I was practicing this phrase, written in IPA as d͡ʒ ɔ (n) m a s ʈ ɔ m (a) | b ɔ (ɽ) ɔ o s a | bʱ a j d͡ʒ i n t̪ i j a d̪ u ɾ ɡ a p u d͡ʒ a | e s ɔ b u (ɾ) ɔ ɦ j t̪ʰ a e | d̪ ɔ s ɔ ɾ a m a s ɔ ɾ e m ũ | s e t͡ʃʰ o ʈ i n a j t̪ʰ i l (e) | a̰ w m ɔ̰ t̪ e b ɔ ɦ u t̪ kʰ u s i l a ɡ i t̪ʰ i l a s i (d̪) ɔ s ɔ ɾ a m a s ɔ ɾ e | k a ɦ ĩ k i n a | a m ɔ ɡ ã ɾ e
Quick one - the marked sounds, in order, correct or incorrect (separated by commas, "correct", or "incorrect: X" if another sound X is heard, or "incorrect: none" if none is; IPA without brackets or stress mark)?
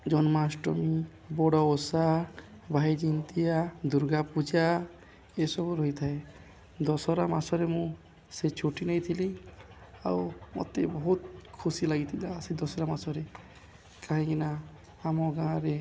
correct, incorrect: i, correct, correct, incorrect: i, correct